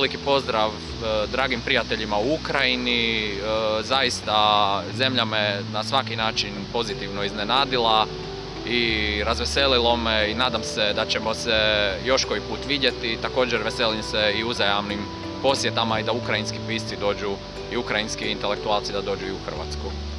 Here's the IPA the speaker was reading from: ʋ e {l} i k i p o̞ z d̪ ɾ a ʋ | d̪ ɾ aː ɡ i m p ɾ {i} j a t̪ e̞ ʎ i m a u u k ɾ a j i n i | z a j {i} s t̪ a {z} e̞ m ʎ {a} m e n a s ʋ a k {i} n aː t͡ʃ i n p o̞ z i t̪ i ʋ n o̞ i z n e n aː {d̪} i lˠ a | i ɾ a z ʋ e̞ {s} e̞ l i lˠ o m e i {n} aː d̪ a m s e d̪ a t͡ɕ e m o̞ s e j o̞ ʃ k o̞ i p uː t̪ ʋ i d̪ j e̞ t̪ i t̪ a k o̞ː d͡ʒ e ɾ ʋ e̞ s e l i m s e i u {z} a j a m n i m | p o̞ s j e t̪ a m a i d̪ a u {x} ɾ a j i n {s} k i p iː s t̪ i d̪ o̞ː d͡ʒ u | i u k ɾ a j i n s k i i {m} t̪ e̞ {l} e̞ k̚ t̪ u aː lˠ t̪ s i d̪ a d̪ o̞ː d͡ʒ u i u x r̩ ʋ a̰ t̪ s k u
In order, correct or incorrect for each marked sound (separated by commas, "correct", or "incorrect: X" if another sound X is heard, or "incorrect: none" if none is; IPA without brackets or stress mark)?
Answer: correct, correct, correct, correct, correct, correct, correct, correct, correct, correct, incorrect: k, correct, incorrect: n, correct